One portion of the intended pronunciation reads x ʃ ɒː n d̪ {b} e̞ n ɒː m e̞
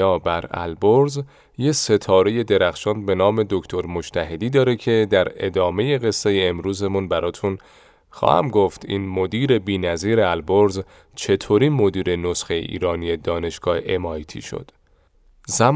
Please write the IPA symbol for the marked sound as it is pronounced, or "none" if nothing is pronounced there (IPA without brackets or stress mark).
b